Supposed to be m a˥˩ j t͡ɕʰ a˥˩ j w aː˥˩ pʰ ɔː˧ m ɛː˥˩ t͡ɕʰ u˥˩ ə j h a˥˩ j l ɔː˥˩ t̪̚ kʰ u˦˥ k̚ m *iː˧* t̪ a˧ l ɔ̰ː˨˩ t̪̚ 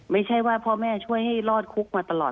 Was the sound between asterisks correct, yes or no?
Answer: no